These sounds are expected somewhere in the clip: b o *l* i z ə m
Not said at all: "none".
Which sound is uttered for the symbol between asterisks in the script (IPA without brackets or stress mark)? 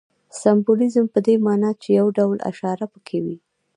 l